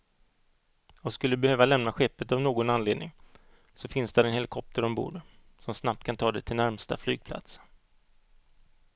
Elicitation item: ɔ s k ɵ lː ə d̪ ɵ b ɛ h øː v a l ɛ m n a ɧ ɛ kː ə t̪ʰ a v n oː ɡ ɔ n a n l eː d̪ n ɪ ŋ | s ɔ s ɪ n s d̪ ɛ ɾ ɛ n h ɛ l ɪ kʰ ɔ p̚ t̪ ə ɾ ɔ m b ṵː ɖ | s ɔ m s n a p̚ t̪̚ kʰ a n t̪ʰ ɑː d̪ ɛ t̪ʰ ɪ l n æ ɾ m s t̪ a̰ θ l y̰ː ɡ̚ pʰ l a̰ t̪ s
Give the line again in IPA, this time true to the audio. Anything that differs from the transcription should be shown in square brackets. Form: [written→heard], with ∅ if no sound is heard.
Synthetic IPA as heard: ɔ s k ɵ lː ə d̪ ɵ b ɛ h øː v a l ɛ m n a ɧ ɛ [kː→pː] ə [t̪ʰ→t̪] a v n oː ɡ ɔ n a n l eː d̪ n ɪ ŋ | s ɔ [s→f] ɪ n s d̪ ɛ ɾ ɛ n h ɛ l ɪ kʰ ɔ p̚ t̪ ə ɾ ɔ m b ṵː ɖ | s ɔ m s n a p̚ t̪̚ kʰ a n t̪ʰ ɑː d̪ ɛ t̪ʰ ɪ l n æ ɾ m s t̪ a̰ [θ→f] l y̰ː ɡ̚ pʰ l a̰ t̪ s

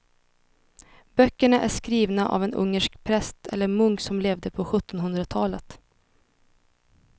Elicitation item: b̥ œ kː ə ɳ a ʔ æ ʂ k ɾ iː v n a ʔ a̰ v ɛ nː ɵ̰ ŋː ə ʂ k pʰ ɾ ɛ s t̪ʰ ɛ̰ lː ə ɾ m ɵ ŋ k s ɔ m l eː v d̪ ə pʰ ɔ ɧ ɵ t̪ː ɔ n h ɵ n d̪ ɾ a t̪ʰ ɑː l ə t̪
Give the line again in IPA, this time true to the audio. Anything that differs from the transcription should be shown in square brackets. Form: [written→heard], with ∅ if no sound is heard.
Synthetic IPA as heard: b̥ œ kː ə ɳ a ʔ æ ʂ k ɾ iː v n a ʔ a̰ v ɛ [nː→n] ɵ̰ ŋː ə ʂ k pʰ ɾ ɛ s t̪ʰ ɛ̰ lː ə ɾ m ɵ ŋ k s ɔ m l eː v d̪ ə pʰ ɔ ɧ ɵ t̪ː ɔ n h ɵ n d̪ ɾ a t̪ʰ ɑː l ə t̪

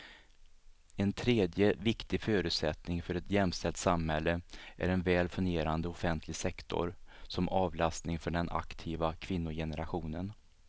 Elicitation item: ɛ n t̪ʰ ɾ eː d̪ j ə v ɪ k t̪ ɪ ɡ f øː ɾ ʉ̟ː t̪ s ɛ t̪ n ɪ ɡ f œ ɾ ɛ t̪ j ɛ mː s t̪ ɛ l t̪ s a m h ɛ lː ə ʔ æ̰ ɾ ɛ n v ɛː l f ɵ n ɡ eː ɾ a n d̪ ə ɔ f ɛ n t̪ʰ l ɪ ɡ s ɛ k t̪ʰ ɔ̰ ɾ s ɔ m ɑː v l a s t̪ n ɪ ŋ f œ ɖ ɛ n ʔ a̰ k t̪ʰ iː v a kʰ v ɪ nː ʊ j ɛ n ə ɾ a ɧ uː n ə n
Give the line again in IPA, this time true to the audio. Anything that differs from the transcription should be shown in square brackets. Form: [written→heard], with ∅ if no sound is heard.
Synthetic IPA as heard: ɛ n t̪ʰ ɾ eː d̪ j ə v ɪ k t̪ ɪ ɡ f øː ɾ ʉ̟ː t̪ s ɛ t̪ n ɪ [ɡ→ŋ] f œ ɾ ɛ t̪ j ɛ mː s t̪ ɛ l t̪ s a m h ɛ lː ə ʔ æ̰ ɾ ɛ n v ɛː l f ɵ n ɡ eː ɾ a n d̪ ə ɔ f ɛ n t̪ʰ l ɪ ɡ s ɛ k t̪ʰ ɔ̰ ɾ s ɔ m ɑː v l a s t̪ n ɪ ŋ f œ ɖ ɛ n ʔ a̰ k t̪ʰ iː v a kʰ v ɪ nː ʊ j ɛ n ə ɾ a ɧ uː n ə n

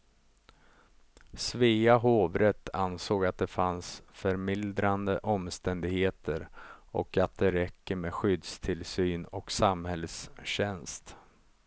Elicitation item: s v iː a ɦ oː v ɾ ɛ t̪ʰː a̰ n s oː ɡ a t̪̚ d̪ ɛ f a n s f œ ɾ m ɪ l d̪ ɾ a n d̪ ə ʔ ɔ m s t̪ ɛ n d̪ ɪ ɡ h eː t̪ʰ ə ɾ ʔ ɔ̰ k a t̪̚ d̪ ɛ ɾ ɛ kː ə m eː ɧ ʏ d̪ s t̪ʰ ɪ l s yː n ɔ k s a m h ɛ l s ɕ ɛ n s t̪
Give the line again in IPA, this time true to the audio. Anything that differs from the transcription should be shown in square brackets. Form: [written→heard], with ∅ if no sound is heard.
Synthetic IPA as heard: s v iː a ɦ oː v ɾ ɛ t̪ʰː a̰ n s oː ɡ a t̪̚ d̪ ɛ f a n s f œ ɾ m ɪ l d̪ ɾ a n d̪ ə ʔ ɔ m s t̪ ɛ n d̪ ɪ ɡ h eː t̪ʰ ə ɾ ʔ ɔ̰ k a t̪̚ d̪ ɛ ɾ ɛ kː ə m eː ɧ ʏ d̪ s t̪ʰ ɪ l s yː n ɔ k s a m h ɛ l s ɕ ɛ n s t̪

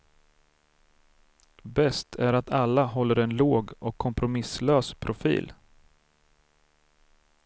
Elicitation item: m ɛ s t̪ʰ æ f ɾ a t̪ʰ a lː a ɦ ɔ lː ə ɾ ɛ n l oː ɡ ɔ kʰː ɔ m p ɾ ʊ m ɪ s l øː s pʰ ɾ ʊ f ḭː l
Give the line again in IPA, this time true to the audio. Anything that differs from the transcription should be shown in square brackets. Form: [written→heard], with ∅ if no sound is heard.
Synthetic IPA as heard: [m→b] ɛ s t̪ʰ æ [f→∅] ɾ a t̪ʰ a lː a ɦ ɔ lː ə ɾ ɛ n l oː ɡ ɔ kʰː ɔ m p ɾ ʊ m ɪ s l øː s pʰ ɾ ʊ f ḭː l

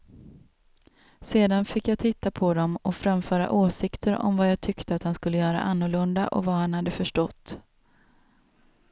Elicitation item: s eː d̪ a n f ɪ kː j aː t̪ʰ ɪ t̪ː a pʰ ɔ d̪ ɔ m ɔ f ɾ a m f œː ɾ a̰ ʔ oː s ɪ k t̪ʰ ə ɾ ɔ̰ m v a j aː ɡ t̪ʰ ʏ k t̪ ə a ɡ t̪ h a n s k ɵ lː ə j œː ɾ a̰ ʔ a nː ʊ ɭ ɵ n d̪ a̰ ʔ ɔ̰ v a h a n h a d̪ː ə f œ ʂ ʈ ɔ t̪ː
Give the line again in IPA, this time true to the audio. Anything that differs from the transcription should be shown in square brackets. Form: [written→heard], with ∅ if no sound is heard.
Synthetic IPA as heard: s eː d̪ a n f ɪ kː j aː t̪ʰ ɪ t̪ː a pʰ ɔ d̪ ɔ m ɔ f ɾ a m f œː ɾ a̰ ʔ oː s ɪ k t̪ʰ ə ɾ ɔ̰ m v a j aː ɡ t̪ʰ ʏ k t̪ ə a [ɡ→∅] t̪ h a n s k ɵ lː ə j œː ɾ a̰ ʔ a nː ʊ ɭ ɵ n d̪ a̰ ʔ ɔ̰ v a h a n h a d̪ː ə f œ ʂ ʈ ɔ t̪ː

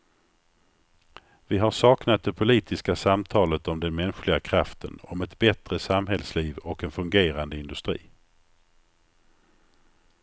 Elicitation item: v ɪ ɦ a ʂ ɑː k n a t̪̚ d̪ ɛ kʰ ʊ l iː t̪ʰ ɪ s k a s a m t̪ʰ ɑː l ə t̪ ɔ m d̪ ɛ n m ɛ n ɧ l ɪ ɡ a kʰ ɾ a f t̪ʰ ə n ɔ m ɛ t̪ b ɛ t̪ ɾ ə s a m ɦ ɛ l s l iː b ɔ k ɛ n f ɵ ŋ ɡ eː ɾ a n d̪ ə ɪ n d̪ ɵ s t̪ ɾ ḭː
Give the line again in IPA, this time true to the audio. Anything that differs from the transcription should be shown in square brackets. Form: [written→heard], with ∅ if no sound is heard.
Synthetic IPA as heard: v ɪ ɦ a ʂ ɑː k n a t̪̚ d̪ ɛ [kʰ→pʰ] ʊ l iː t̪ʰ ɪ s k a s a m t̪ʰ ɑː l ə t̪ ɔ m d̪ ɛ n m ɛ n ɧ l ɪ ɡ a kʰ ɾ a f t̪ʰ ə n ɔ m ɛ t̪ b ɛ t̪ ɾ ə s a m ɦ ɛ l s l iː [b→v] ɔ k ɛ n f ɵ ŋ ɡ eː ɾ a n d̪ ə ɪ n d̪ ɵ s t̪ ɾ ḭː

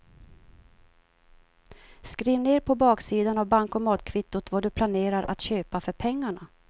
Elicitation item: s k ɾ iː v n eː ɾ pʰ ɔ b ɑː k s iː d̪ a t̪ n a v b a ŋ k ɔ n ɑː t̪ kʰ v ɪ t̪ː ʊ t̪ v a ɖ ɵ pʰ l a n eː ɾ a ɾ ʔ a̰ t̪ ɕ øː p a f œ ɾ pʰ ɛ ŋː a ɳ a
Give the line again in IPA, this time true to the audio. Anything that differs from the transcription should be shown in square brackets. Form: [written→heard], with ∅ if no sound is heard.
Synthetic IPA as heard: s k ɾ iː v n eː ɾ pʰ ɔ b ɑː k s iː d̪ a [t̪→∅] n a v b a ŋ k ɔ [n→m] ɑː t̪ kʰ v ɪ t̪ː ʊ t̪ v a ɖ ɵ pʰ l a n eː ɾ a ɾ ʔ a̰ t̪ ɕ øː p a f œ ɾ pʰ ɛ ŋː a ɳ a

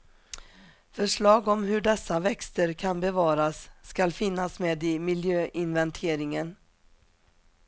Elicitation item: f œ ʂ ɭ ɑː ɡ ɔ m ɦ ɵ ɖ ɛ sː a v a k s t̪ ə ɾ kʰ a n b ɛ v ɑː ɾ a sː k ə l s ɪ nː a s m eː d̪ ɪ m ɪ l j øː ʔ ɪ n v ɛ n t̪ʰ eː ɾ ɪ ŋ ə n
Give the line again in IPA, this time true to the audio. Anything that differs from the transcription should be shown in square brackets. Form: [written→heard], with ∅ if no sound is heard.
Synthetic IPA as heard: f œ ʂ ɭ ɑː ɡ ɔ m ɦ ɵ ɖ ɛ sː a v [a→ɛ] k s t̪ ə ɾ kʰ a n b ɛ v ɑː ɾ a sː k [ə→a] l [s→f] ɪ nː a s m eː d̪ ɪ m ɪ l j øː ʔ ɪ n v ɛ n t̪ʰ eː ɾ ɪ ŋ ə n

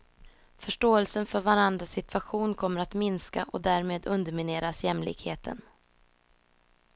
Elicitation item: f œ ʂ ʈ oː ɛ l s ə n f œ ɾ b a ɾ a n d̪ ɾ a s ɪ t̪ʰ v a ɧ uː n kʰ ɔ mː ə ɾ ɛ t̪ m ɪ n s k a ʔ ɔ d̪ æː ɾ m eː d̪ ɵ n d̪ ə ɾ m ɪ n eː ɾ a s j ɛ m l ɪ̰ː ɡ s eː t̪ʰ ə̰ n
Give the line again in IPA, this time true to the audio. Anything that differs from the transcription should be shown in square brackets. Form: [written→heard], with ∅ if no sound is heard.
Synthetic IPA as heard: f œ ʂ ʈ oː ɛ l s ə n f œ ɾ [b→v] a ɾ a n d̪ ɾ a s ɪ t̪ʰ v a ɧ uː n kʰ ɔ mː ə ɾ [ɛ→a] t̪ m ɪ n s k a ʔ ɔ d̪ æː ɾ m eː d̪ ɵ n d̪ ə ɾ m ɪ n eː ɾ a s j ɛ m l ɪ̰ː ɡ [s→h] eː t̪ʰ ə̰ n

